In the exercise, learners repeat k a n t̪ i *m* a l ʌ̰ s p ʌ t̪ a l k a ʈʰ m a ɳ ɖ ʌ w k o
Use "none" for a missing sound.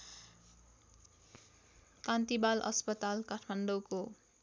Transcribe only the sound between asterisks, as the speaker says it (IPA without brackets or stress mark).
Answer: b